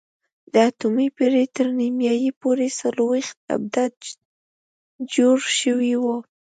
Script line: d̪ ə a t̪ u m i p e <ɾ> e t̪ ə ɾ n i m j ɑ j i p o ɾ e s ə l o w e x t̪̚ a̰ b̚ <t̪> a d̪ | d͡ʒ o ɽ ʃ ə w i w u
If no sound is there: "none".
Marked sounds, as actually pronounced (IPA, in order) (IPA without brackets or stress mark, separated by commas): ɾ, d̪